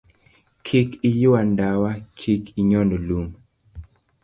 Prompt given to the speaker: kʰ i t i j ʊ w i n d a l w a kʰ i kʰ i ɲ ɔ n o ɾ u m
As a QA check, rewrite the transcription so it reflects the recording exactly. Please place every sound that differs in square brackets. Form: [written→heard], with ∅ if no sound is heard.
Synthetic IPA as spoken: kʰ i [t→k] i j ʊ w [i→a] n d a [l→∅] w a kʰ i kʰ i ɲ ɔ n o [ɾ→l] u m